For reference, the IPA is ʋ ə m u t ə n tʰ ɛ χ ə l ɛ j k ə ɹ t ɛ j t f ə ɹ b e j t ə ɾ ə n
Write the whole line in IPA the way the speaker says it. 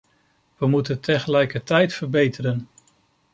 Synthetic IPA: ʋ ə m u t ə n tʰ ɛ χ ə l ɛ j k ə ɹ t ɛ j t f ə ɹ b e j t ə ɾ ə n